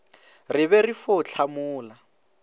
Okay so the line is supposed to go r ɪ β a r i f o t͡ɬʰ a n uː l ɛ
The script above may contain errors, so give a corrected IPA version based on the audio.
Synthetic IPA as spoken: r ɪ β ɛ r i f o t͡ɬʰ a m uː l a